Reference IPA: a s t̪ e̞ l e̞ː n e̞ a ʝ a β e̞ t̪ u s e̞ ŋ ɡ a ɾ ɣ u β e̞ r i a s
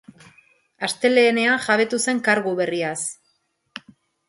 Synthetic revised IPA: a s t̪ e̞ l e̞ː n e̞ a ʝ a β e̞ t̪ u s e̞ ŋ k a ɾ ɣ u β e̞ r i a s

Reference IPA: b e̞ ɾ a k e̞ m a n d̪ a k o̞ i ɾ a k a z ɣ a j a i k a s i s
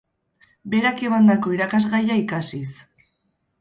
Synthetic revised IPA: b e̞ ɾ a k e̞ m a n d̪ a k o̞ i ɾ a k a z ɣ a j a i k a s i s

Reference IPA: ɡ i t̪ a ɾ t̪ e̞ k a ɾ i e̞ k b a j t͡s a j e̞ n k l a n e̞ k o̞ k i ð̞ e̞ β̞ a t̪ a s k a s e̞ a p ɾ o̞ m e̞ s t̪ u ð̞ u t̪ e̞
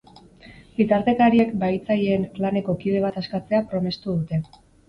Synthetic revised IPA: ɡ i t̪ a ɾ t̪ e̞ k a ɾ i e̞ k b a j t͡s a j e̞ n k l a n e̞ k o̞ k i ð̞ e̞ β̞ a t̪ a s k a t͡s e̞ a p ɾ o̞ m e̞ s t̪ u ð̞ u t̪ e̞

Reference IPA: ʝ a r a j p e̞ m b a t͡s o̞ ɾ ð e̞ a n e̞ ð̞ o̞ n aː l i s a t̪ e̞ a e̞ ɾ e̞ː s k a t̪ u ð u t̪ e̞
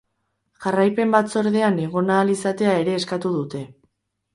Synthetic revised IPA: ʝ a r a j p e̞ m b a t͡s o̞ ɾ ð e̞ a n e̞ ɣ̞ o̞ n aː l i s a t̪ e̞ a e̞ ɾ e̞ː s k a t̪ u ð u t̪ e̞

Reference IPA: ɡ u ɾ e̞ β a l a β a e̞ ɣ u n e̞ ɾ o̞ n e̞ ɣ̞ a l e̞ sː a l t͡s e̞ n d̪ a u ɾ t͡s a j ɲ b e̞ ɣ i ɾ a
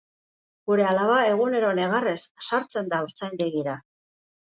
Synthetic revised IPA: ɡ u ɾ e̞ a l a β a e̞ ɣ u n e̞ ɾ o̞ n e̞ ɣ̞ a r e̞ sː a ɾ t͡s e̞ n d̪ a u ɾ t͡s a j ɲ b e̞ ɣ i ɾ a

